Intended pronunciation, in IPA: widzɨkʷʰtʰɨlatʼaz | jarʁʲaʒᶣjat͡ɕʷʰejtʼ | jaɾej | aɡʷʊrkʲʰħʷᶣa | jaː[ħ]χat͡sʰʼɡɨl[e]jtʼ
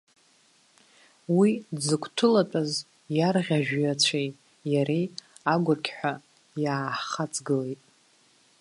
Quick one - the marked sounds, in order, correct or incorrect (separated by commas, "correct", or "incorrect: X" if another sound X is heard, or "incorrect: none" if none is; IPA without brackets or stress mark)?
correct, correct